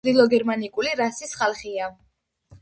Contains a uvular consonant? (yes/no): yes